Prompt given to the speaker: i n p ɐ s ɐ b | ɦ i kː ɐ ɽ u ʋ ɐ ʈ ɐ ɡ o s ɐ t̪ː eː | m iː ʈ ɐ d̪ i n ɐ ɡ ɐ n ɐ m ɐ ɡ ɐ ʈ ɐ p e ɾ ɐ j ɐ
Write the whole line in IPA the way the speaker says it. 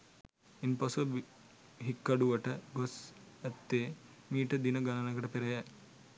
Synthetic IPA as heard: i n p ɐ s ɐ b | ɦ i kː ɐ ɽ u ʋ ɐ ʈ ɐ ɡ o s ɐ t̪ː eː | m iː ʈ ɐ d̪ i n ɐ ɡ ɐ n ɐ n ɐ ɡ ɐ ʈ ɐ p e ɾ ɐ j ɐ

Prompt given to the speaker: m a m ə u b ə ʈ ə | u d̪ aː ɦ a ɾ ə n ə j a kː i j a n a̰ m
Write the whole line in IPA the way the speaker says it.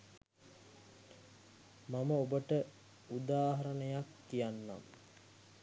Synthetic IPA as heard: m a m ə o b ə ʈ ə | u d̪ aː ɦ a ɾ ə n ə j a kː i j a nː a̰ m

